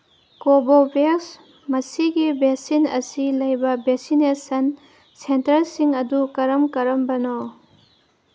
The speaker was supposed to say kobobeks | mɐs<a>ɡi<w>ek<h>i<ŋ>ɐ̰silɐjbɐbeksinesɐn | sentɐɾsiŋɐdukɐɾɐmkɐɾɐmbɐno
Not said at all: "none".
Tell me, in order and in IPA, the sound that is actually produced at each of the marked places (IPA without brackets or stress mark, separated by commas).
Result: i, b, s, n